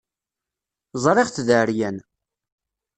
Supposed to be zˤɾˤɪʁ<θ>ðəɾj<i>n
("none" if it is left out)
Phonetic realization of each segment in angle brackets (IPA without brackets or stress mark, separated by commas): θ, æ